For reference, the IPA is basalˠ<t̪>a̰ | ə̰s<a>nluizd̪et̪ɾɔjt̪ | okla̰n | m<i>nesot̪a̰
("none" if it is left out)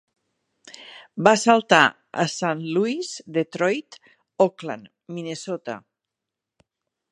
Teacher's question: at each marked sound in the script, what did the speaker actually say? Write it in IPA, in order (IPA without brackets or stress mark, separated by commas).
t̪, a, i